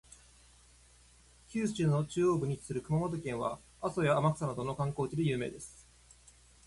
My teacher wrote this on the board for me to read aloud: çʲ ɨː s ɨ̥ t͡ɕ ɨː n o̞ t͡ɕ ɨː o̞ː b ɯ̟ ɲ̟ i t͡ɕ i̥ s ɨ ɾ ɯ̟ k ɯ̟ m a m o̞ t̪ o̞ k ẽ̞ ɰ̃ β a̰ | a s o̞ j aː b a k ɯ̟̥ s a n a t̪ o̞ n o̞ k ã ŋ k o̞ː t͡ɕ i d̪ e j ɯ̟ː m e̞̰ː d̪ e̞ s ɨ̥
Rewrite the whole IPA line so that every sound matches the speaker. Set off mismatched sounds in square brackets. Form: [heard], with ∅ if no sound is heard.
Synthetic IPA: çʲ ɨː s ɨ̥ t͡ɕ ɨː n o̞ t͡ɕ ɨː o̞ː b ɯ̟ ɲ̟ i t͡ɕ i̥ s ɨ ɾ ɯ̟ k ɯ̟ m a m o̞ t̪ o̞ k ẽ̞ ɰ̃ β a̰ | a s o̞ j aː [m] a k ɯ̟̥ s a n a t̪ o̞ n o̞ k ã ŋ k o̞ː t͡ɕ i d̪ e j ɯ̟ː m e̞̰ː d̪ e̞ s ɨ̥